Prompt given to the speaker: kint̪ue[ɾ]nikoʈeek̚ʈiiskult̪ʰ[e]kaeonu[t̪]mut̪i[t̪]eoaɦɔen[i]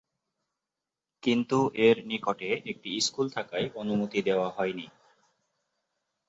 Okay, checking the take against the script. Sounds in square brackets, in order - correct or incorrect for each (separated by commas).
correct, incorrect, incorrect, incorrect, correct